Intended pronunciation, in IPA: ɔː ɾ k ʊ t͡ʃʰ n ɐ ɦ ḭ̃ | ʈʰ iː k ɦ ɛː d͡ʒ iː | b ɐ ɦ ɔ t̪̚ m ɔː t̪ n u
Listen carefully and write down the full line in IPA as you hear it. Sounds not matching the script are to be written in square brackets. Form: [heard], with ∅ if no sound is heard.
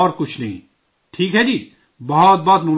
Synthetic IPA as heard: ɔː ɾ k ʊ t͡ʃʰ n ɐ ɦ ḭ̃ | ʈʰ iː k ɦ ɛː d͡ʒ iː | b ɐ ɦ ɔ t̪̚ [b] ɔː t̪ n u